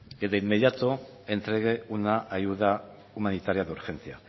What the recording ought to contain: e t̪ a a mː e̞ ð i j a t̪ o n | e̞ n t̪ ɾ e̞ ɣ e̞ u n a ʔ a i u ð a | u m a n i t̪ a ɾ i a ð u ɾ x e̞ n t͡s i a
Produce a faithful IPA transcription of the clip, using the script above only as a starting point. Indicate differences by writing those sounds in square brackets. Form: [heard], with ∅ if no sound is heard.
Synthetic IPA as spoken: e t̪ a [i] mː e̞ ð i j a t̪ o [∅] | e̞ n t̪ ɾ e̞ ɣ e̞ u n a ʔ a [j] u ð a | u m a n i t̪ a ɾ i a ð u ɾ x e̞ n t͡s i a